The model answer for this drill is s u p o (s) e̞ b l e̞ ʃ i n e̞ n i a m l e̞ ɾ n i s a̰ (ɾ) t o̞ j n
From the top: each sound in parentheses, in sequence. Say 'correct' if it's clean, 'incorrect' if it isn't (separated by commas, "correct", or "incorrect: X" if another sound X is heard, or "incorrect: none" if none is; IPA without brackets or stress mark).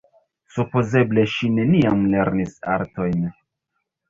incorrect: z, correct